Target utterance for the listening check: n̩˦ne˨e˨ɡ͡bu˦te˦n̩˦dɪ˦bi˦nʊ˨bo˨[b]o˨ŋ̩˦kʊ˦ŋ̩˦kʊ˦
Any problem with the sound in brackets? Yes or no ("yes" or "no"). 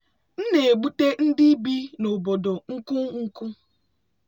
yes